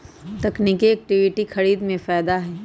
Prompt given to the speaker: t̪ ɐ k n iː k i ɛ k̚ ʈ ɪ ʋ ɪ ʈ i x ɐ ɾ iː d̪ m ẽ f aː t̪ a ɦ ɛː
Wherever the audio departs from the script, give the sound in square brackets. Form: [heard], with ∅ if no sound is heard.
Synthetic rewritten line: t̪ ɐ k n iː k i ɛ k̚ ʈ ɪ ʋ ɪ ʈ i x ɐ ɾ iː d̪ m ẽ f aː [d̪] a ɦ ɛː